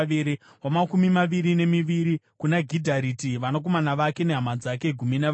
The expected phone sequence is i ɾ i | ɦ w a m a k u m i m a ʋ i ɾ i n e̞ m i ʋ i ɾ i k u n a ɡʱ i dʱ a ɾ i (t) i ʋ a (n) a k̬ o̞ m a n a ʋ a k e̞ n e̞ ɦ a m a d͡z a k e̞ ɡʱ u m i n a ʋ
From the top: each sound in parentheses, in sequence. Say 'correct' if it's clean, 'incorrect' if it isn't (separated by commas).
correct, correct